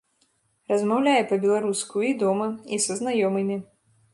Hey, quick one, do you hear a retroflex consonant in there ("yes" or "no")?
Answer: no